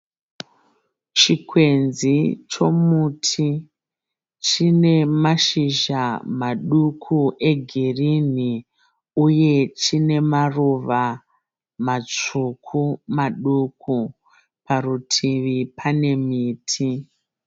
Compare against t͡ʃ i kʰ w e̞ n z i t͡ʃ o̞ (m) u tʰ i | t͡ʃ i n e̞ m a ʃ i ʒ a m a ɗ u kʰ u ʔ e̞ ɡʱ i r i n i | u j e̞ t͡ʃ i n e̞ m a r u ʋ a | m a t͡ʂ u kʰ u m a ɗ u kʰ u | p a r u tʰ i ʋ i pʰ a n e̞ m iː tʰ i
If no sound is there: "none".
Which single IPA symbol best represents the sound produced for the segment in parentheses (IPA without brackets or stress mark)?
m